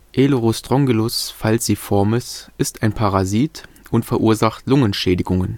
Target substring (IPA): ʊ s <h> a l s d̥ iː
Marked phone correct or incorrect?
incorrect